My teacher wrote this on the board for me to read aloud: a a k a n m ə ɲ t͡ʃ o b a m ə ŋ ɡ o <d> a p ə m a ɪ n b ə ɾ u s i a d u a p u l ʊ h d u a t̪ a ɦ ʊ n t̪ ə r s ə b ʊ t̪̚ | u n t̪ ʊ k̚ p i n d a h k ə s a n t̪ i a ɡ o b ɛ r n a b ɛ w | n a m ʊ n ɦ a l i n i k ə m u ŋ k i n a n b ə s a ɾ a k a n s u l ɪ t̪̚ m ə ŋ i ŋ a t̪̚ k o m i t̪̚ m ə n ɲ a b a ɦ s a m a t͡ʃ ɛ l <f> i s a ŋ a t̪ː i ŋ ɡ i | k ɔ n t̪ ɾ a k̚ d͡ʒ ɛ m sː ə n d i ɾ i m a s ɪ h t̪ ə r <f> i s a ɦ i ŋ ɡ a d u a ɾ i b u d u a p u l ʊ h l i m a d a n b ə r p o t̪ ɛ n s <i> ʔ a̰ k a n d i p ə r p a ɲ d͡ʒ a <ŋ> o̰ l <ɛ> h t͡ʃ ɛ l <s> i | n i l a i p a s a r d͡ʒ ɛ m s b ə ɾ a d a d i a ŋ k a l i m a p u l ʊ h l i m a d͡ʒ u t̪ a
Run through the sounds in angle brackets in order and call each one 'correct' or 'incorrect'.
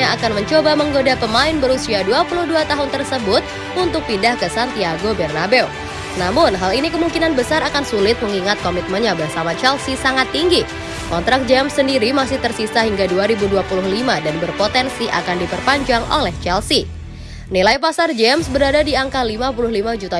correct, incorrect: s, incorrect: s, correct, correct, correct, correct

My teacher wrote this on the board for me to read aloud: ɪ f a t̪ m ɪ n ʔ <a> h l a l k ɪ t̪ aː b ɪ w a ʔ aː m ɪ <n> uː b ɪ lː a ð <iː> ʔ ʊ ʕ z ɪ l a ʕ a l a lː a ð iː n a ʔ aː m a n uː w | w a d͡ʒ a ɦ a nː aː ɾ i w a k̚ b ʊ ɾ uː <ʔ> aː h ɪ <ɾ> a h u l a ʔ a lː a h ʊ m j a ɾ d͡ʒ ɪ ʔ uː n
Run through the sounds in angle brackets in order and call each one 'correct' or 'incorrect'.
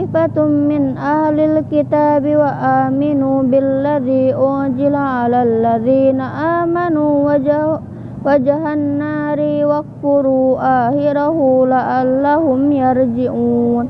correct, correct, correct, correct, correct

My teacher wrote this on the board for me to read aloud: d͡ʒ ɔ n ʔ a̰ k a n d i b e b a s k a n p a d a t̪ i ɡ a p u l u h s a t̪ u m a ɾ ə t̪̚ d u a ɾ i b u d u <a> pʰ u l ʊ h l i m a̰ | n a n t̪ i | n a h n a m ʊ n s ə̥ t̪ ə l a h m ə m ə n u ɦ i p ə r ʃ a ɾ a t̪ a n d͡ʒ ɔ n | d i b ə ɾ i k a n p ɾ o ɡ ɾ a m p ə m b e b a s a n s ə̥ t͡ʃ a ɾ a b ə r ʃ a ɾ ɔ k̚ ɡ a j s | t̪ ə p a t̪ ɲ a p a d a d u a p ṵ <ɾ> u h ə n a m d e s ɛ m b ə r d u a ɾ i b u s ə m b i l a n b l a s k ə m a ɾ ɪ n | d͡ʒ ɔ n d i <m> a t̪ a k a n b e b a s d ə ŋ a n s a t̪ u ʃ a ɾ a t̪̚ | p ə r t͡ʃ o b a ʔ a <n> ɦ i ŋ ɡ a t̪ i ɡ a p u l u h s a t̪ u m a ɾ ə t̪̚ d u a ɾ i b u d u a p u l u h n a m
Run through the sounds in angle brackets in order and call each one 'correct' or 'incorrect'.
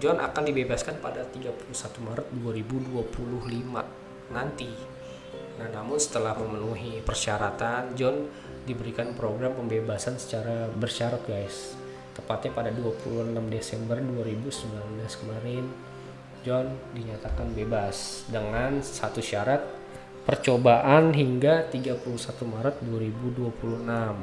correct, incorrect: l, incorrect: ɲ, correct

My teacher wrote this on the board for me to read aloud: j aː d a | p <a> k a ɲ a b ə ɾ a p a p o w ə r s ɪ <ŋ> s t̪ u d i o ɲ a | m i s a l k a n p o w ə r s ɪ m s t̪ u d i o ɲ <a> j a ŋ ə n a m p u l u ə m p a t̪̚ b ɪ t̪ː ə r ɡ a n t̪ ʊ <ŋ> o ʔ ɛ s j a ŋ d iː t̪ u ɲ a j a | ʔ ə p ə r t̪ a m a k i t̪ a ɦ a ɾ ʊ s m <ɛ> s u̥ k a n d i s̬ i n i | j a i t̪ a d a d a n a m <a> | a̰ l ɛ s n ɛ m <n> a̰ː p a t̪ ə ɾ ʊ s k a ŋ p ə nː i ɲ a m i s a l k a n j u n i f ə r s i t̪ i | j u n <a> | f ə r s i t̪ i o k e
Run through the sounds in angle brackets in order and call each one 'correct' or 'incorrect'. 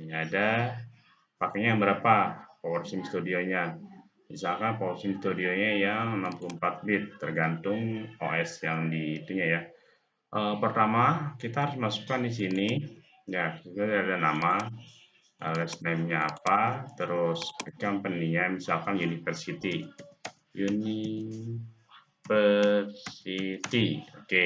correct, incorrect: m, correct, correct, incorrect: a, correct, incorrect: ɲ, incorrect: i

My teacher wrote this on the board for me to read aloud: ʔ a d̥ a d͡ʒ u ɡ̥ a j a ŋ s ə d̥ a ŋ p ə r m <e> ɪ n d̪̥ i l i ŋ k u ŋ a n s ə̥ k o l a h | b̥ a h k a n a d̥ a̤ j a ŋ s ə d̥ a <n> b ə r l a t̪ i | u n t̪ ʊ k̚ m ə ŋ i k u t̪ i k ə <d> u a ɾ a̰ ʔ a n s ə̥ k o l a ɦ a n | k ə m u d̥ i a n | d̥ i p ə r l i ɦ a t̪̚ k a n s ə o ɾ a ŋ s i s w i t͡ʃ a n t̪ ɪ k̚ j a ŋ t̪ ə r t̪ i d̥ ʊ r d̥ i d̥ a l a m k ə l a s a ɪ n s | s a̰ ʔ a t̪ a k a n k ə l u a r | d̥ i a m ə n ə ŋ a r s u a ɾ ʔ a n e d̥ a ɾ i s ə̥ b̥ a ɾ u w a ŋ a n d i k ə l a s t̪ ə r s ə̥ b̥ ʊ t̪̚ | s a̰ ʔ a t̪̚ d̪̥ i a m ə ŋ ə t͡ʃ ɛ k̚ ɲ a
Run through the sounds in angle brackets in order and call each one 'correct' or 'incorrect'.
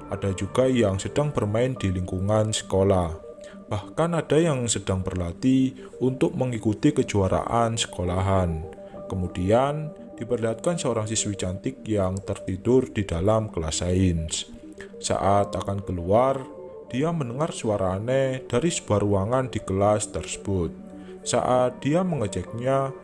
incorrect: a, incorrect: ŋ, incorrect: d͡ʒ

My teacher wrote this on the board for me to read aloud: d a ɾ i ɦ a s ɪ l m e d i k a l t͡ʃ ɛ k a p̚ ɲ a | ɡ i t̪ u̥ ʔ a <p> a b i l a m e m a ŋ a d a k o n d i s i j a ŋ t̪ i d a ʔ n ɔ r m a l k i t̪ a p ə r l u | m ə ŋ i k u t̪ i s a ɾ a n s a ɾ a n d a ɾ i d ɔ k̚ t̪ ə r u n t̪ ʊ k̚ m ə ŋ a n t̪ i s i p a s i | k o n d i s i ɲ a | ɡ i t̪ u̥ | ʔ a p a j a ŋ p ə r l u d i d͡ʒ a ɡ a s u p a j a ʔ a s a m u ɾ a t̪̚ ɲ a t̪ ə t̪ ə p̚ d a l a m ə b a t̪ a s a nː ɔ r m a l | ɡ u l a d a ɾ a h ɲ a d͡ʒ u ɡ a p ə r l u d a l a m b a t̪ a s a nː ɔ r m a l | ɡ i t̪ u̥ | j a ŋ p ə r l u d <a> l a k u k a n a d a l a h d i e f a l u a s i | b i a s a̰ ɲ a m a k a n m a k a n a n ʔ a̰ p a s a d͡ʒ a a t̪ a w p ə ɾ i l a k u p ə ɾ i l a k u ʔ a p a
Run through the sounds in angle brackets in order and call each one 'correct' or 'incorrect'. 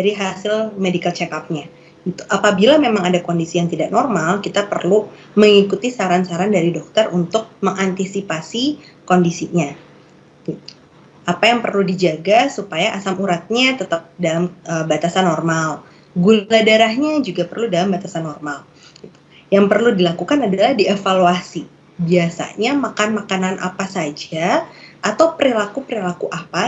correct, incorrect: i

